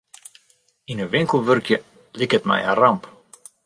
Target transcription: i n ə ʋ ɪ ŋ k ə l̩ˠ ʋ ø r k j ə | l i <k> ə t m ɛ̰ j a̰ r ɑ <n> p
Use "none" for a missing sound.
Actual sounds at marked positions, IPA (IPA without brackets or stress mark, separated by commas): k, m